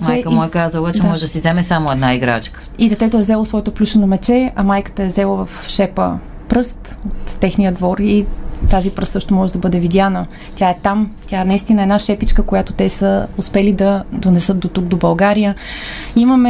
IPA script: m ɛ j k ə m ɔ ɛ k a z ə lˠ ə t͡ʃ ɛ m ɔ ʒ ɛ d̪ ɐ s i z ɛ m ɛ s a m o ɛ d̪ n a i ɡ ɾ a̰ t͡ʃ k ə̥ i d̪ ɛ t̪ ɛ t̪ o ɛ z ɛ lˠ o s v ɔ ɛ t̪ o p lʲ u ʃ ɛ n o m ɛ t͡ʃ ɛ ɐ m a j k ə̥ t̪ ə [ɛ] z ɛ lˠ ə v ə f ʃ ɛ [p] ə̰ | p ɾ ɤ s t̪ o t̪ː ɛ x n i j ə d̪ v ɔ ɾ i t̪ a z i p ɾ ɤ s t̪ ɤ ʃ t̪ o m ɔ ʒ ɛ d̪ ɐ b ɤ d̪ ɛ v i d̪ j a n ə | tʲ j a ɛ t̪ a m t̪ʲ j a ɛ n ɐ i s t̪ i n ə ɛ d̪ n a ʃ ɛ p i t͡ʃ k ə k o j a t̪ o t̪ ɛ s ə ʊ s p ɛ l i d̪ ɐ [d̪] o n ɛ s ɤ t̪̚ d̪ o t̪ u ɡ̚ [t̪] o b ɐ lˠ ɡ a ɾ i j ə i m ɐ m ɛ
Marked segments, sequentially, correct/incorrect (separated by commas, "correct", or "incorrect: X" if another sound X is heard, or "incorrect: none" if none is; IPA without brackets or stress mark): correct, correct, correct, incorrect: d̪